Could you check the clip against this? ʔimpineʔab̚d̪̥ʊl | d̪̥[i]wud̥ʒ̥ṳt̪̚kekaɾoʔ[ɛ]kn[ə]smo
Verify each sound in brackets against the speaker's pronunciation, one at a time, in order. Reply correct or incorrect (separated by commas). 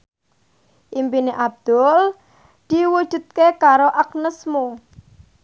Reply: correct, incorrect, correct